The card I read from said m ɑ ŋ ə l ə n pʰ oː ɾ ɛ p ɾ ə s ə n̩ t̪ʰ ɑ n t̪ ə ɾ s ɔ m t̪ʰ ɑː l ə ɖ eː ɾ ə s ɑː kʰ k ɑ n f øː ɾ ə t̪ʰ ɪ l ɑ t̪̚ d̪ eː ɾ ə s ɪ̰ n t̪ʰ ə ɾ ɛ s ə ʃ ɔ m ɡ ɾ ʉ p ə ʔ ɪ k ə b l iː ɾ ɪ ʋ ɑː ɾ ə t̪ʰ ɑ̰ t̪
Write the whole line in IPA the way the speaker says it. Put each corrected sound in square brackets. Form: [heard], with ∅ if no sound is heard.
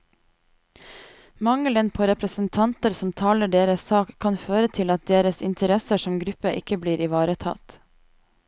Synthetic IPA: m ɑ ŋ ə l ə n pʰ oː ɾ ɛ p ɾ ə s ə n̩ t̪ʰ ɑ n t̪ ə ɾ s ɔ m t̪ʰ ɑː l ə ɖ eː ɾ ə s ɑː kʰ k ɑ n f øː ɾ ə t̪ʰ ɪ l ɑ t̪̚ d̪ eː ɾ ə s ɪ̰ n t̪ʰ ə ɾ ɛ s ə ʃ ɔ m ɡ ɾ ʉ p ə ʔ ɪ k ə b l iː ɾ ɪ ʋ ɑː ɾ ə t̪ʰ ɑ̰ t̪